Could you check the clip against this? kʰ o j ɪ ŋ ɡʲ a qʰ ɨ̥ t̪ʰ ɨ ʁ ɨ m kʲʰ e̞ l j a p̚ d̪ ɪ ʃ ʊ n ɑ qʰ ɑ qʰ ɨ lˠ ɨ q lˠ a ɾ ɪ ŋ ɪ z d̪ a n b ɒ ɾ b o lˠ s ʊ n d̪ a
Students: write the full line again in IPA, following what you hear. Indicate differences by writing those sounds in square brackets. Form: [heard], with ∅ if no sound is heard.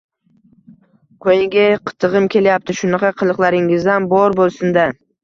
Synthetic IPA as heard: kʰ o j ɪ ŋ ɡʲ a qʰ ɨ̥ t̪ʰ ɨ ʁ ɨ m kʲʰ e̞ l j a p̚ [t̪] ɪ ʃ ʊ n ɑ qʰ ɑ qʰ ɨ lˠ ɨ q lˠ a ɾ ɪ ŋ ɪ z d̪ a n b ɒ ɾ b o lˠ s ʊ n d̪ a